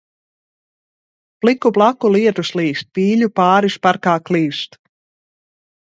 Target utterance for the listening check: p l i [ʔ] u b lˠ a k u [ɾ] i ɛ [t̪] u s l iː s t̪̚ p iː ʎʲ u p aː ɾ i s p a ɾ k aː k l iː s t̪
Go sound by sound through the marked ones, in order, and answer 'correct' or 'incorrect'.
incorrect: k, incorrect: l, correct

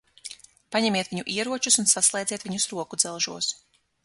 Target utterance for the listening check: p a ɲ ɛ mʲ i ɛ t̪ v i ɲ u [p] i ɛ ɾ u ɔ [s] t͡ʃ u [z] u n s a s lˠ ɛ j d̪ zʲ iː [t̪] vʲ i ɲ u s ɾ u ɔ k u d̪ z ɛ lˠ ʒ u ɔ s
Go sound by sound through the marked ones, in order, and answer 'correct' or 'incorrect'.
incorrect: ʔ, incorrect: none, incorrect: s, correct

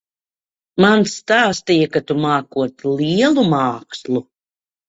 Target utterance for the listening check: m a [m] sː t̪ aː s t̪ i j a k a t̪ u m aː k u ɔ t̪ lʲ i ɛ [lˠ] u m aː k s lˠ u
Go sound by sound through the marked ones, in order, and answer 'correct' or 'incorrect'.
incorrect: n, correct

